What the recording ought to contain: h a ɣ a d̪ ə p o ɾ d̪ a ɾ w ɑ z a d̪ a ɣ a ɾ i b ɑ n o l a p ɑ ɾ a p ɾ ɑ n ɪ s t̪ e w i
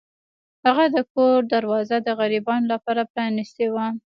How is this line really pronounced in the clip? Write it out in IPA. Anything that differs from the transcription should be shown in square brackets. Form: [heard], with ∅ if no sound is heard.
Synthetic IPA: h a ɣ a d̪ ə [k] o ɾ d̪ a ɾ w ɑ z a d̪ [ə] ɣ a ɾ i b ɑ n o l a p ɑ ɾ a p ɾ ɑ n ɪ s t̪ e w [a]